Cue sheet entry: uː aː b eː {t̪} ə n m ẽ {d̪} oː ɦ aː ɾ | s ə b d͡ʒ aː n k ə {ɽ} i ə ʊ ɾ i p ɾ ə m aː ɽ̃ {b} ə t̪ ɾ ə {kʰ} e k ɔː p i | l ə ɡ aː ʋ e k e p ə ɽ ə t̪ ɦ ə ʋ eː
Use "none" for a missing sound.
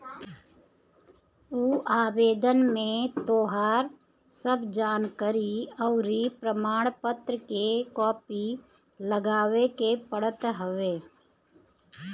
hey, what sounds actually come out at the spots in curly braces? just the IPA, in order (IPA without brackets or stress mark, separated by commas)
d̪, t̪, ɾ, p, k